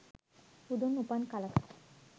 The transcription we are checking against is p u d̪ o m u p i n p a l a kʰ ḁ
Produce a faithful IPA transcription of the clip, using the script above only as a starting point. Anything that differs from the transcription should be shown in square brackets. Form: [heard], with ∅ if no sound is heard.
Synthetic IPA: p u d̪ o [n] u p [a] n [k] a l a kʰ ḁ